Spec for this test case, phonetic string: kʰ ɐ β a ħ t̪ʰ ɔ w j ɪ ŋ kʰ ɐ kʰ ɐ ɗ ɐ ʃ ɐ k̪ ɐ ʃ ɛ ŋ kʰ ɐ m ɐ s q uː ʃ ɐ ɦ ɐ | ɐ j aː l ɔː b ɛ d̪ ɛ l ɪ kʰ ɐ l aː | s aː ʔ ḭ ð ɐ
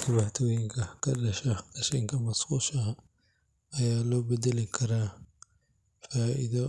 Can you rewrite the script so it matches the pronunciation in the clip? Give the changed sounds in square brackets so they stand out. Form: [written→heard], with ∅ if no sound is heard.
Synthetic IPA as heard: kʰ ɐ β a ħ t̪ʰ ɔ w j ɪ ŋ kʰ ɐ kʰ ɐ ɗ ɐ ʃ ɐ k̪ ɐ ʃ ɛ ŋ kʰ ɐ m ɐ s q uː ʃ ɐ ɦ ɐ | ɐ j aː l ɔː b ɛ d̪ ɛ l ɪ kʰ ɐ [l→ɾ] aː | [s→f] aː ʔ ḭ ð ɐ